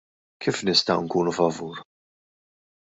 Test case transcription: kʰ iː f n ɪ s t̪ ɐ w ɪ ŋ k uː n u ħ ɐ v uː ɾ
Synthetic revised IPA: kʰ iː f n ɪ s t̪ ɐ w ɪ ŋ k uː n u f ɐ v uː ɾ